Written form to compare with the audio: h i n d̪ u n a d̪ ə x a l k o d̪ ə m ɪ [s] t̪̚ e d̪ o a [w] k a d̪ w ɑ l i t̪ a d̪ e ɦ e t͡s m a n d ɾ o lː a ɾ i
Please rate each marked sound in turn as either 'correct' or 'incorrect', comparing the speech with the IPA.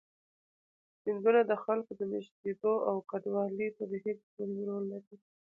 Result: incorrect, correct

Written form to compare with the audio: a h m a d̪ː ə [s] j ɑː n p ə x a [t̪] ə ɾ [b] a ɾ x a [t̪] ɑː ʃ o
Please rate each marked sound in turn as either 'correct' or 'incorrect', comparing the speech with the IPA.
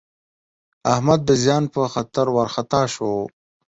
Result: incorrect, correct, incorrect, correct

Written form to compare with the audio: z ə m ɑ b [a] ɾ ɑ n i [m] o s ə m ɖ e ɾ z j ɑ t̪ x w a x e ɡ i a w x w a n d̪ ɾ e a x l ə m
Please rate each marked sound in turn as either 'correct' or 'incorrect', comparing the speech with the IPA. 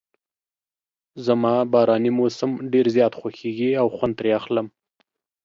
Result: incorrect, correct

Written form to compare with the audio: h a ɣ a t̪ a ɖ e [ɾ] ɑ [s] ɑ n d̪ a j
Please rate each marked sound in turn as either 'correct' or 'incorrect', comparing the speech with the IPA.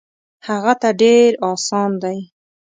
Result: correct, correct

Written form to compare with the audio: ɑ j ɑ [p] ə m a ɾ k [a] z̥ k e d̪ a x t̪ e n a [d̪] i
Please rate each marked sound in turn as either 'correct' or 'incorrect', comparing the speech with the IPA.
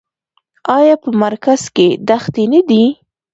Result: correct, correct, correct

